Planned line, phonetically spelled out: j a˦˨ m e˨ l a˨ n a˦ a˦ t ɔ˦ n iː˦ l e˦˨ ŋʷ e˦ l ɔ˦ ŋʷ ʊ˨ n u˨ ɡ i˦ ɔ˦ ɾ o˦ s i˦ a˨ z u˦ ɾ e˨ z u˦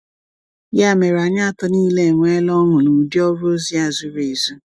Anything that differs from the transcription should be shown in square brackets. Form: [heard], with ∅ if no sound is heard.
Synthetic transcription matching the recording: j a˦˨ m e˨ [ɾ] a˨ [ɲ] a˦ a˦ t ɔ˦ n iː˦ l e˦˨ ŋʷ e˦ l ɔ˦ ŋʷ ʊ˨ n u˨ [d] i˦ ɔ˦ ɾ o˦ [z] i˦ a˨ z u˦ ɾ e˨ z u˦